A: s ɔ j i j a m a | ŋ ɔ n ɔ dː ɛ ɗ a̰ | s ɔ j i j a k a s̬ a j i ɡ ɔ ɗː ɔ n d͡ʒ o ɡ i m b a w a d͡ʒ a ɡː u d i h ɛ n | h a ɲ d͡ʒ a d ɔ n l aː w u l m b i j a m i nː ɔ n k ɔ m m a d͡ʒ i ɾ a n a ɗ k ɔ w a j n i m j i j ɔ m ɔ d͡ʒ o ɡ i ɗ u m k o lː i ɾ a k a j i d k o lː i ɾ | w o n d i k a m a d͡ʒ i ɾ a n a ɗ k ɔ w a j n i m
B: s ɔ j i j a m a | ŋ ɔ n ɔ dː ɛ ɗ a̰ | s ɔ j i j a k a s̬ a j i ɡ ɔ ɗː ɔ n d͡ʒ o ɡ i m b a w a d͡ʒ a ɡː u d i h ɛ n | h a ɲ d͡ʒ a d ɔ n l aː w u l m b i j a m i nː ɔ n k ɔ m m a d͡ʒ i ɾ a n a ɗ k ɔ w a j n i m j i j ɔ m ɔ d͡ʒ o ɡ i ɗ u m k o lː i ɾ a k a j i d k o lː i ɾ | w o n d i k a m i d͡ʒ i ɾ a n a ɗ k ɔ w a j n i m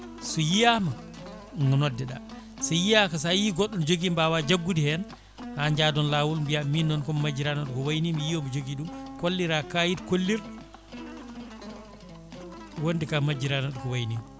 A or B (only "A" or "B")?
A